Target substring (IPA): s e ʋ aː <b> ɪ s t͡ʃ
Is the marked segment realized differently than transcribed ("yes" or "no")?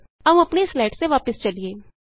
yes